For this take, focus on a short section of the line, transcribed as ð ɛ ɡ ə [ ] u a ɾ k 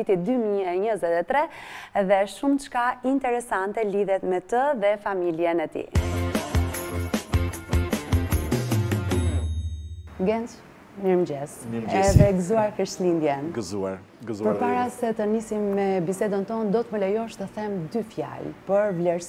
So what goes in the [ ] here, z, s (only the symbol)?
z